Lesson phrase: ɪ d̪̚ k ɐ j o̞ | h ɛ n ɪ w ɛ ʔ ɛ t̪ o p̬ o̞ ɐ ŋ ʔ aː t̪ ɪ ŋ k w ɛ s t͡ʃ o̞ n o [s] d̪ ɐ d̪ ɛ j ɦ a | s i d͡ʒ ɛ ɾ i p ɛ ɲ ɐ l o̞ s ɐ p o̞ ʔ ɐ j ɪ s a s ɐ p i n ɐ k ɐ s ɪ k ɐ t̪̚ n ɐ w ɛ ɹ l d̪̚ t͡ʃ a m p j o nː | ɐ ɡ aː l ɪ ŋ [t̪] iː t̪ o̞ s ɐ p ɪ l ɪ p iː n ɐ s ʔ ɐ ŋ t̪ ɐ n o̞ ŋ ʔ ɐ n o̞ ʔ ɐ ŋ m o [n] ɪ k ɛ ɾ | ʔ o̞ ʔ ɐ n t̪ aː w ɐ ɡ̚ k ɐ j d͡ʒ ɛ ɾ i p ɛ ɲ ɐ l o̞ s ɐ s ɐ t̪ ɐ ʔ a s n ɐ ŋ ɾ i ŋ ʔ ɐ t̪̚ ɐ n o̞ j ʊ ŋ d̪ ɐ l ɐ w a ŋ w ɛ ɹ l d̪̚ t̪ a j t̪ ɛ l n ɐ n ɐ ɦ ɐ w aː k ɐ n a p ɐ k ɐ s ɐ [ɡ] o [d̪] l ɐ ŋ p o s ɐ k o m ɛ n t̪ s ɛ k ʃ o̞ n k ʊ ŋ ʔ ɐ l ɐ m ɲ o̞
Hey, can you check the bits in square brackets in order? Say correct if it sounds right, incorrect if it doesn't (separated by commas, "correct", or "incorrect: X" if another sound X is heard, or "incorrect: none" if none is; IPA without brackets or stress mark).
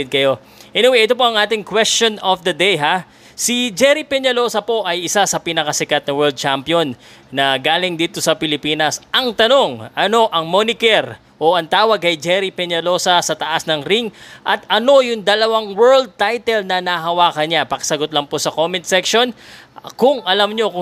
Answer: incorrect: f, incorrect: d̪, correct, correct, incorrect: t̪